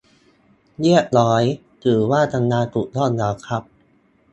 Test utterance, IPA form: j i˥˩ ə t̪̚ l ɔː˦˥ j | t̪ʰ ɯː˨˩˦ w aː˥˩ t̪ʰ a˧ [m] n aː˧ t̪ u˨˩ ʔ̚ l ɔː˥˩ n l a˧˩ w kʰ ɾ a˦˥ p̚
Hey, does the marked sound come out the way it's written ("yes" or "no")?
no